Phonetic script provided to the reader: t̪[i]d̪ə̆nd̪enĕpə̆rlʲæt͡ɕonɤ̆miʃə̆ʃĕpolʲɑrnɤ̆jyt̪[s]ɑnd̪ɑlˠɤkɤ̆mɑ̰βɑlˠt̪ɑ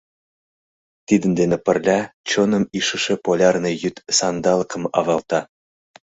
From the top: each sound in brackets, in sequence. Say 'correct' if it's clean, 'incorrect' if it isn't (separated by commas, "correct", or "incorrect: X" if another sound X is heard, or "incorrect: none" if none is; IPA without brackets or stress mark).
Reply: correct, correct